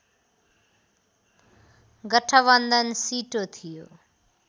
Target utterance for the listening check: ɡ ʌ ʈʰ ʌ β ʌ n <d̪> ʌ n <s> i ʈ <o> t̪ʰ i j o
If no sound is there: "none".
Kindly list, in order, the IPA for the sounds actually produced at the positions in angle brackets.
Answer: d̪, s, o

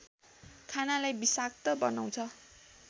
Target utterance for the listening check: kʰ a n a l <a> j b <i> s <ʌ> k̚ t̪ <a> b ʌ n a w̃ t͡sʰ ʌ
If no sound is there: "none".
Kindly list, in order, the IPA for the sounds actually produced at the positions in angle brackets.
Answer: a, i, a, ʌ

